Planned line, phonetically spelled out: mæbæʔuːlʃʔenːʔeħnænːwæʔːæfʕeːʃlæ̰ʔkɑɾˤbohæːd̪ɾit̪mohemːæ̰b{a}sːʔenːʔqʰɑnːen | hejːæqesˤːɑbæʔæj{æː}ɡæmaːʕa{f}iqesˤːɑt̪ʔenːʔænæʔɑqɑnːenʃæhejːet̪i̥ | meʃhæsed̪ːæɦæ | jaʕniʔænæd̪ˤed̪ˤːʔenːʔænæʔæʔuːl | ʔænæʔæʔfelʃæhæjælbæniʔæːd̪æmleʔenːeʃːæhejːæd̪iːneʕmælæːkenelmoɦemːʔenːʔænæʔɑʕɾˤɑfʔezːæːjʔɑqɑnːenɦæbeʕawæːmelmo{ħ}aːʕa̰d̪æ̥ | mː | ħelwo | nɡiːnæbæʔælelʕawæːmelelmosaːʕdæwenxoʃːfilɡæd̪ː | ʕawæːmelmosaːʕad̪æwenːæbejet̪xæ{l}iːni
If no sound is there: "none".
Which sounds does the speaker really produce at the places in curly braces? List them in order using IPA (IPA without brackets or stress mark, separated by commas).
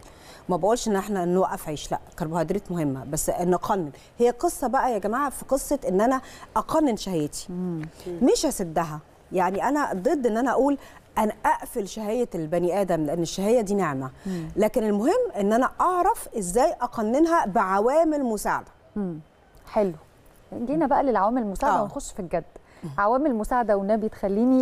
æ, æ, f, s, lː